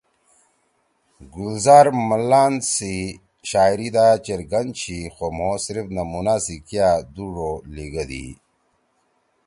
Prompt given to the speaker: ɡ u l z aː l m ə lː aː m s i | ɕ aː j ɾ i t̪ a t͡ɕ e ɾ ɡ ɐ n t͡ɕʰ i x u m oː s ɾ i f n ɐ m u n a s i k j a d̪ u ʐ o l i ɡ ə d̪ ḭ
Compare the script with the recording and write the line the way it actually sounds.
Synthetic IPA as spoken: ɡ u l z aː ɾ m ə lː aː n s i | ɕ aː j ɾ i d̪ a t͡ɕ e ɾ ɡ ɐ n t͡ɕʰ i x o m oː s ɾ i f n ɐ m u n a s i k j a d̪ u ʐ o l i ɡ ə d̪ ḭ